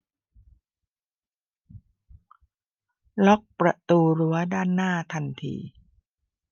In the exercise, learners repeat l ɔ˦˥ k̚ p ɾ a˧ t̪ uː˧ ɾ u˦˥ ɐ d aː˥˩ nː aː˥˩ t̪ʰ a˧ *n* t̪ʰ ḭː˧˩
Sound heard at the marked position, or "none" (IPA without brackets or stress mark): n